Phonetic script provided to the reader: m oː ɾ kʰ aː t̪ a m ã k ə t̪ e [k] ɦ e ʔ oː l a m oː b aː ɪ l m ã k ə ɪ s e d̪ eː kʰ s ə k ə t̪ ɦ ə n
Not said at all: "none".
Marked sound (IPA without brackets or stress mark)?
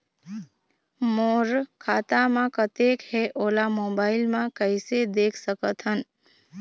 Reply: k